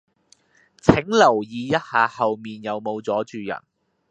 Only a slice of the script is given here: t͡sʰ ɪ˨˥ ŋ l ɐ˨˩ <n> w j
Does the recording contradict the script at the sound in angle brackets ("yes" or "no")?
yes